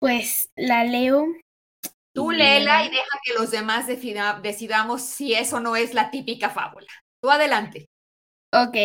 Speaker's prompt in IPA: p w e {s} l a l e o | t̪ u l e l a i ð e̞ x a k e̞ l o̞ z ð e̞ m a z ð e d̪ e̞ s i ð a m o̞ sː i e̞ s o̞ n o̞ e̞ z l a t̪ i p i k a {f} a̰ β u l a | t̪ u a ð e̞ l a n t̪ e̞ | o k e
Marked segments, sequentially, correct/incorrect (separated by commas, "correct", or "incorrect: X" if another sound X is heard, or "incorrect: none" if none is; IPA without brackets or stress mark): correct, correct